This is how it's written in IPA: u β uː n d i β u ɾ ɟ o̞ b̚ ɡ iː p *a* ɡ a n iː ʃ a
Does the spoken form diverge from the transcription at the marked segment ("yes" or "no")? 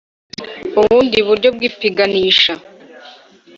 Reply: yes